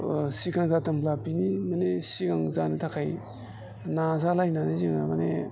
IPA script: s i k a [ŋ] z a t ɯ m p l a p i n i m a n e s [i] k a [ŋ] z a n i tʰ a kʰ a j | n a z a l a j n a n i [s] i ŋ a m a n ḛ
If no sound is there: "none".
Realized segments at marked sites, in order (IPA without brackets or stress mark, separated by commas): ŋ, i, ŋ, z